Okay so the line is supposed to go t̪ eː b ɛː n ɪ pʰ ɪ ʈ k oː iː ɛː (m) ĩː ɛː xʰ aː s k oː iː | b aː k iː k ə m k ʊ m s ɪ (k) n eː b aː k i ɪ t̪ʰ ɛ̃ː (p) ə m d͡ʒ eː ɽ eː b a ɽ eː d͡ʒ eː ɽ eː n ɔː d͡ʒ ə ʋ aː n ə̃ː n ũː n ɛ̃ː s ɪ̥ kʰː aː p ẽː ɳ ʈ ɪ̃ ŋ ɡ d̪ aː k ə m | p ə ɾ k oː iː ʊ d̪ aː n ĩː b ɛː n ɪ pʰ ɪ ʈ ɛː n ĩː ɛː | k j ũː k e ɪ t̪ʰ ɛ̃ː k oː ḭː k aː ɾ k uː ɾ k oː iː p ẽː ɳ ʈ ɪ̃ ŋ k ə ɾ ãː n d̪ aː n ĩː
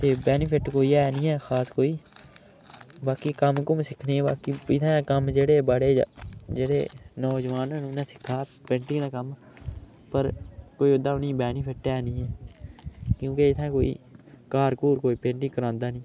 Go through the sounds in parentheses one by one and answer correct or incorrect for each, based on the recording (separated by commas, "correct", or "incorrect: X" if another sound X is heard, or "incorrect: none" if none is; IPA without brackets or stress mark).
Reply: incorrect: n, incorrect: kʰ, incorrect: k